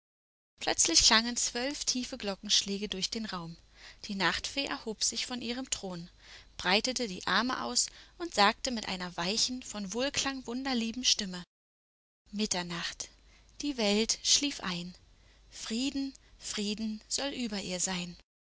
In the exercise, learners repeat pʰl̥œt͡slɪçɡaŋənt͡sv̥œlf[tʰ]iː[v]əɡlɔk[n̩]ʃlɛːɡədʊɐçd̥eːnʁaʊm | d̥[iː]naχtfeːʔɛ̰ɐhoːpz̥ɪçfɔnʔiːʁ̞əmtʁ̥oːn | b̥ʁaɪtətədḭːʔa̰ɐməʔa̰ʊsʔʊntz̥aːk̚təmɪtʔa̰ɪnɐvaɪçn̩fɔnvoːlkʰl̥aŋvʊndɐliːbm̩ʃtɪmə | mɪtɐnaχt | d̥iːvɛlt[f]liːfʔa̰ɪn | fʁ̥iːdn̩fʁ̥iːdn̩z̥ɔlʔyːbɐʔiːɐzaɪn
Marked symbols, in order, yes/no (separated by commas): yes, no, no, yes, no